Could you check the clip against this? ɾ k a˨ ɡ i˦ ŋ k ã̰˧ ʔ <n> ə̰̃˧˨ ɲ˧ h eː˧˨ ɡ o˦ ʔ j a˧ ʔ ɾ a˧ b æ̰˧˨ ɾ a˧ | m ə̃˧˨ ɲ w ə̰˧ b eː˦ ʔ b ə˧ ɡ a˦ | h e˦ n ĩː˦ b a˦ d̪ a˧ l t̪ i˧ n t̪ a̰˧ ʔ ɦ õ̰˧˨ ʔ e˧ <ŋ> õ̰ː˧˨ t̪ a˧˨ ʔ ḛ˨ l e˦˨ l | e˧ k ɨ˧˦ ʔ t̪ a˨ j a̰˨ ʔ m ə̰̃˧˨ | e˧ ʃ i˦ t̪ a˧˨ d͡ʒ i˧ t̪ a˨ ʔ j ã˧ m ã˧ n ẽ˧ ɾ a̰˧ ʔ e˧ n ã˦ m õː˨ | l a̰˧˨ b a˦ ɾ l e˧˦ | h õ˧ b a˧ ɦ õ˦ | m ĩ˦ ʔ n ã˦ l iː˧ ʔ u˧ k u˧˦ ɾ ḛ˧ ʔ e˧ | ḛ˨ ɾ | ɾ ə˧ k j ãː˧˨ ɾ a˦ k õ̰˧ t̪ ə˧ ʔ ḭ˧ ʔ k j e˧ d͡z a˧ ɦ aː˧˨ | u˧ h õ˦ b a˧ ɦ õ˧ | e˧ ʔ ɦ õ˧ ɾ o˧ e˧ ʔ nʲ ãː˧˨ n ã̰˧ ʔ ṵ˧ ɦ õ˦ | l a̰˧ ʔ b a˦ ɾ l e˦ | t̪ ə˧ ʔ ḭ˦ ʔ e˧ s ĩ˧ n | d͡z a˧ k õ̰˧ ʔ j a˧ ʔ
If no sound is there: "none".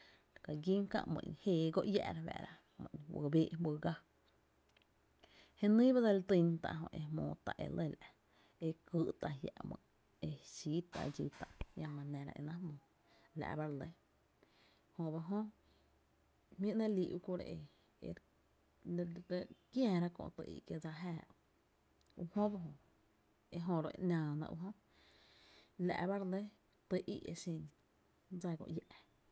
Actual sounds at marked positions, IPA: m, m

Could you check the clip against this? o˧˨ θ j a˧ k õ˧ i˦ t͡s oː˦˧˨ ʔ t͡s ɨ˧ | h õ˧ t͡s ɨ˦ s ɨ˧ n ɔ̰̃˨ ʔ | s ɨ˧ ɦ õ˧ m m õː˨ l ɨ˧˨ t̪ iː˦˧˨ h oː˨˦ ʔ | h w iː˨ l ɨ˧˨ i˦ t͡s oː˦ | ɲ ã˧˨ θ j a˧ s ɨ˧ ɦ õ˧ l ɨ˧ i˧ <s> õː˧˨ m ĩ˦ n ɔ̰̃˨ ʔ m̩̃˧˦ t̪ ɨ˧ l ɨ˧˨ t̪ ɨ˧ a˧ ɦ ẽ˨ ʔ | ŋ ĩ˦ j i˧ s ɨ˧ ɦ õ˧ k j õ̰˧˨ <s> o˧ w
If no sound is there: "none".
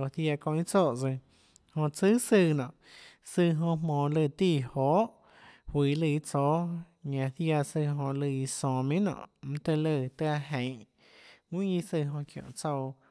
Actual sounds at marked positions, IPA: s, t͡s

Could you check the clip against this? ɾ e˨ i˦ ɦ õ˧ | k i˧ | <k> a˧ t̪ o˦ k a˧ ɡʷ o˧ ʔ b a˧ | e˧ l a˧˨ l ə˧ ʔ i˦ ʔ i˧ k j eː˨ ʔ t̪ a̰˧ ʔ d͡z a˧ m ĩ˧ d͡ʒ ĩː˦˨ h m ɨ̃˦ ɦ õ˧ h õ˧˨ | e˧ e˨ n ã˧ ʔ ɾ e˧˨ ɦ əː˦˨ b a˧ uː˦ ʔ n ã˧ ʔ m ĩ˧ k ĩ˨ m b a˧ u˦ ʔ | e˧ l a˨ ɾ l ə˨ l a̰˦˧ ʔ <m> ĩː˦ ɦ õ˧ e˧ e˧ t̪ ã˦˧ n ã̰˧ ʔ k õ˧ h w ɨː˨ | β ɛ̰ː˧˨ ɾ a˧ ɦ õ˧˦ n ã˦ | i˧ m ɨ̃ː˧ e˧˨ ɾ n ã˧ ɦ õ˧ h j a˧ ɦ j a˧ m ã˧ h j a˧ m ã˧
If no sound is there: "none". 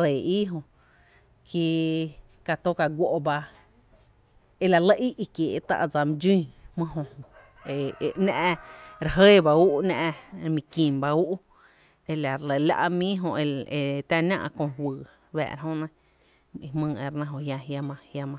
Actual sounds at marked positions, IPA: k, m

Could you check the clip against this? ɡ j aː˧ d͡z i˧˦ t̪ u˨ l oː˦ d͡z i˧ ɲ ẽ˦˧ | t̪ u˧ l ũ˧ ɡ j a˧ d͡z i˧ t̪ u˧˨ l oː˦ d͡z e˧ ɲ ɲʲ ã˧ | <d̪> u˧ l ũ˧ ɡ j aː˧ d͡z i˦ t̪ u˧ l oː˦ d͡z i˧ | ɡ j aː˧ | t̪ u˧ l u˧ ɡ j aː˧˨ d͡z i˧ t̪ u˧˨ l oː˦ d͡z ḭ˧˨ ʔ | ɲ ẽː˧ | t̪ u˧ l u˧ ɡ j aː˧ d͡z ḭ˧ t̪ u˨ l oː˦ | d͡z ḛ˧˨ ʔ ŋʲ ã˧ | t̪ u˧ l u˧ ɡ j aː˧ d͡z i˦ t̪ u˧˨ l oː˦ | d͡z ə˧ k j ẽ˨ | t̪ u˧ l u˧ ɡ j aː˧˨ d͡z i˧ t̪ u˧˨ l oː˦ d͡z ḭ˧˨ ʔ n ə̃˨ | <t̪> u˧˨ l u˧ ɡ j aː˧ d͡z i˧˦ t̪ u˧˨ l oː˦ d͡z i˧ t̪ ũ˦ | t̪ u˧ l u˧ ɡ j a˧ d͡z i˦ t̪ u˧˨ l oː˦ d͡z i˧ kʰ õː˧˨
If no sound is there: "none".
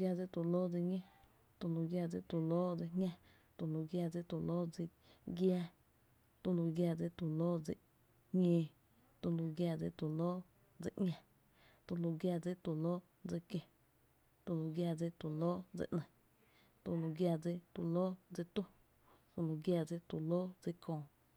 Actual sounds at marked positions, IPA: t̪, t̪

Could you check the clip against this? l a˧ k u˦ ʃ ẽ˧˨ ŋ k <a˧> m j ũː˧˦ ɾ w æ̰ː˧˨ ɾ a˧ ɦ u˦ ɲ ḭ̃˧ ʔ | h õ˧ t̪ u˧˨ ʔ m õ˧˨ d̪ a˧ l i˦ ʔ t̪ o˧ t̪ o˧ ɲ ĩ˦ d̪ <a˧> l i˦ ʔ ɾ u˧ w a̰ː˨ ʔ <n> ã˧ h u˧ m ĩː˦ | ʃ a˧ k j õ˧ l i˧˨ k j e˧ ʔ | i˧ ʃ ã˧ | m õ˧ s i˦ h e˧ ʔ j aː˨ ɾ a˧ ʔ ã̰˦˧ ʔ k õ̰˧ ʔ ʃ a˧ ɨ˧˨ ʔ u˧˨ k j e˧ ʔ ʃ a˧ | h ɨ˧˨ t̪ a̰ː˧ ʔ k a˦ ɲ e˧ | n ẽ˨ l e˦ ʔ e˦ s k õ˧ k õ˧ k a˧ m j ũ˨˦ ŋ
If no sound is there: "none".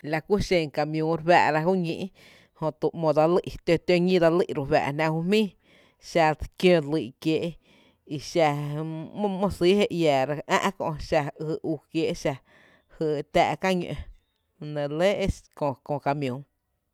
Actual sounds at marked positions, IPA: a˧, a˧, n

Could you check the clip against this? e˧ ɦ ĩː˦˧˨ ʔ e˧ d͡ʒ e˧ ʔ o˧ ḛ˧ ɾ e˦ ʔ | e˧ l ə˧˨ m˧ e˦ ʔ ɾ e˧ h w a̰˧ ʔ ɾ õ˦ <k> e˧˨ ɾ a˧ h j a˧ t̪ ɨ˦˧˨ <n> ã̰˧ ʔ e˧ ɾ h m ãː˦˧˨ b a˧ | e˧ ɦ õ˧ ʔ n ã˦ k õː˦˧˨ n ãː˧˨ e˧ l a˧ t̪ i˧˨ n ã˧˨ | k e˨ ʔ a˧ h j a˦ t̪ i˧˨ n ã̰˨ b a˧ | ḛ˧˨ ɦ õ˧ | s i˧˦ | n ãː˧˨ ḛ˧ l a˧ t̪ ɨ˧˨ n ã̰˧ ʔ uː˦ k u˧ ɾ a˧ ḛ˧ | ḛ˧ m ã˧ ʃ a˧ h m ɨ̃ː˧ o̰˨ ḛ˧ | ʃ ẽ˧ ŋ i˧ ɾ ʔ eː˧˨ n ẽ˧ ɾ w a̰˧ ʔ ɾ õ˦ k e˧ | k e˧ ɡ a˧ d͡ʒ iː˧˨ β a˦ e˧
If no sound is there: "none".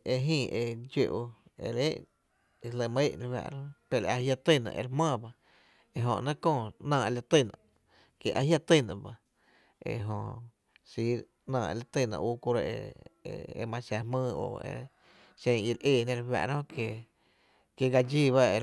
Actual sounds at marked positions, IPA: p, n

